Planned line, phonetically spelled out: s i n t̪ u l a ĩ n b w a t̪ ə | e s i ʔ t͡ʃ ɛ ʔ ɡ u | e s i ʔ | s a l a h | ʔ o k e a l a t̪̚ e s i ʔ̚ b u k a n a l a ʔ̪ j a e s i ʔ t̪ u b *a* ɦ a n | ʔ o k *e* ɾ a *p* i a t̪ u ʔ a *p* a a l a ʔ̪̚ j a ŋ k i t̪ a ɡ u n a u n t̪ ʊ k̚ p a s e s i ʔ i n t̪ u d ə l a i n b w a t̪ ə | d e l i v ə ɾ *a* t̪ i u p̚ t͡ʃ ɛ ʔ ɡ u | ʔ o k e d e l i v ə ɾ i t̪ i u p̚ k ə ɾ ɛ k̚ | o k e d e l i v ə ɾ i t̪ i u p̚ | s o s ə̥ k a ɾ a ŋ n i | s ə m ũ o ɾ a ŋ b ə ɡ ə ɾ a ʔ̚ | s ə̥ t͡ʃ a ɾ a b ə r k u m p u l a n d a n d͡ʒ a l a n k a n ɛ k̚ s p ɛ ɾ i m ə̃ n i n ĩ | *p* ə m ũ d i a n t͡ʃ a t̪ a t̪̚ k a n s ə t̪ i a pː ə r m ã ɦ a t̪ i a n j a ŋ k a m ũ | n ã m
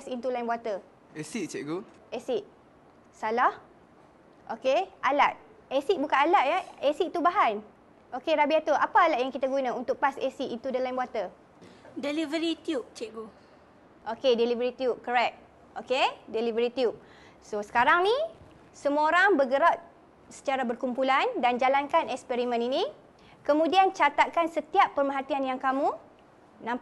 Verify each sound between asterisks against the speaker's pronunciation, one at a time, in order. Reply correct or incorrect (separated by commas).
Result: correct, correct, incorrect, correct, incorrect, incorrect